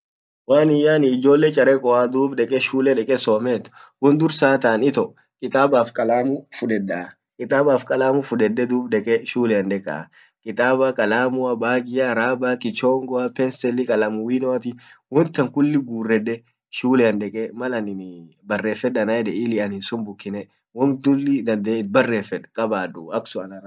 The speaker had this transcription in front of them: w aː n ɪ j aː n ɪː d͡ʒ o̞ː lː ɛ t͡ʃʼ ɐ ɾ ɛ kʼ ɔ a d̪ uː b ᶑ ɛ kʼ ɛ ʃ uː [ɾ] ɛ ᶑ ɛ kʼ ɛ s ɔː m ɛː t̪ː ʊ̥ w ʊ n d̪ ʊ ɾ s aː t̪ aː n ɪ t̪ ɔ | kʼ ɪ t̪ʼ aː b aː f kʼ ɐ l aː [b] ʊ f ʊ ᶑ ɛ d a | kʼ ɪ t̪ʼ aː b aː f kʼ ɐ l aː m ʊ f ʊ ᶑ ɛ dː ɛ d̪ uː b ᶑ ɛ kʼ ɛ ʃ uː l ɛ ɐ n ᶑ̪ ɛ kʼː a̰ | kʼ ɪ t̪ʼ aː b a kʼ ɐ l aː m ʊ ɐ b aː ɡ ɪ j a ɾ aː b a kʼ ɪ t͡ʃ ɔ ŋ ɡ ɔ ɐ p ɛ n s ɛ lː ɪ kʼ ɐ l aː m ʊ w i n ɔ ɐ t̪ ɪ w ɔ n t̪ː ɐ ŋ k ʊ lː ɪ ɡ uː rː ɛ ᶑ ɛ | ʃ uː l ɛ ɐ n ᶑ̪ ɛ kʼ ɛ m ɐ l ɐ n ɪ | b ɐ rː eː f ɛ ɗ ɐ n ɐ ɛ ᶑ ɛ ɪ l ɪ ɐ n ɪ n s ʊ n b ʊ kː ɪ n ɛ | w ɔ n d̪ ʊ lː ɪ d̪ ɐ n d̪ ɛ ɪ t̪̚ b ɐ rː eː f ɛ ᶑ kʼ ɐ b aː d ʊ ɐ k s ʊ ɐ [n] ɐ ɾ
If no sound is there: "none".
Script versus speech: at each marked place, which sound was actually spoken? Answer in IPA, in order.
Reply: l, m, n

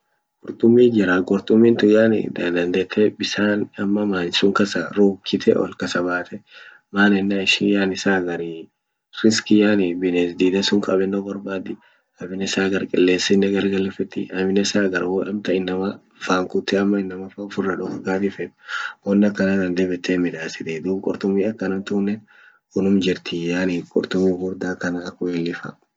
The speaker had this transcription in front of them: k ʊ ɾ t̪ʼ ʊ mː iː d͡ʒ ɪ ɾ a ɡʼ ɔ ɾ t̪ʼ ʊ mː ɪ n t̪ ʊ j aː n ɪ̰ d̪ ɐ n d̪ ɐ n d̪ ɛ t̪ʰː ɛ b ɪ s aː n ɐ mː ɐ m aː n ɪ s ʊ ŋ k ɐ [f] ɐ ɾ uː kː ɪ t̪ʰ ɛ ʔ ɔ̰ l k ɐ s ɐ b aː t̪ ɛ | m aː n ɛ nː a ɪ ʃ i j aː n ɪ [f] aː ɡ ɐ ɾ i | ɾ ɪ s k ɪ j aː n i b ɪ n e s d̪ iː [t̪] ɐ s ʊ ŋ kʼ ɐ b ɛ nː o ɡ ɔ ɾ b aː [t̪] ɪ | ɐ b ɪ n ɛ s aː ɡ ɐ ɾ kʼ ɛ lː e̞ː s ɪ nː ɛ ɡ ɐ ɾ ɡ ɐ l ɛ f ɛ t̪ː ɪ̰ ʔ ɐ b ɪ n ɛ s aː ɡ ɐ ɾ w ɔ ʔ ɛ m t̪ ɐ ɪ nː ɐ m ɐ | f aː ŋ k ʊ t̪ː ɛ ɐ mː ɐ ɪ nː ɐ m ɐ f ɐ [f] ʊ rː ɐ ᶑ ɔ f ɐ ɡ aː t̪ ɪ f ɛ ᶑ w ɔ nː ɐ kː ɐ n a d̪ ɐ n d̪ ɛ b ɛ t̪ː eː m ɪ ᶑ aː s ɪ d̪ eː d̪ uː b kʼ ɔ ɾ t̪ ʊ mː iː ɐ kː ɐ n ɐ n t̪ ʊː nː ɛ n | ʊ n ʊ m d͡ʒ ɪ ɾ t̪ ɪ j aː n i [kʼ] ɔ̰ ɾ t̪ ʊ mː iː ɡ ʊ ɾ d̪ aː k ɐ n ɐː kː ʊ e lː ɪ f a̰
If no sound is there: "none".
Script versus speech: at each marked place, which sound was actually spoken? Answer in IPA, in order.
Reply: s, s, d̪, d̪, f, kʼ

